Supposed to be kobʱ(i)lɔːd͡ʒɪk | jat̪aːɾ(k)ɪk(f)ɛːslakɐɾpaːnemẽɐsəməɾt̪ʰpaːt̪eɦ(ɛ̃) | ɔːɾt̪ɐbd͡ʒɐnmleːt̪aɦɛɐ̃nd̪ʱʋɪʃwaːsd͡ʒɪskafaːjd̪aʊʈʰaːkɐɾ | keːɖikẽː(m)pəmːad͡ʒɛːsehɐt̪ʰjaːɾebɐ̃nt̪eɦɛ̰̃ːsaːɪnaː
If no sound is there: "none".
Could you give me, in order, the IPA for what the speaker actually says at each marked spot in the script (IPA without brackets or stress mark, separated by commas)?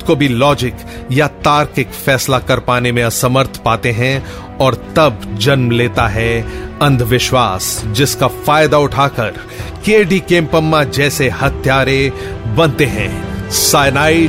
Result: i, k, f, ɛ̃, m